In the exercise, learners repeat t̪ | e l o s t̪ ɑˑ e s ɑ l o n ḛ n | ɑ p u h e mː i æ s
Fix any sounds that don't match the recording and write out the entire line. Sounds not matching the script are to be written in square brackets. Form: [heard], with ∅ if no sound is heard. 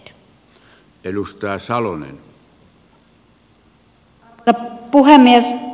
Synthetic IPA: t̪ | e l [u] s t̪ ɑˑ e s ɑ l o n ḛ n | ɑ p u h e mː i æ s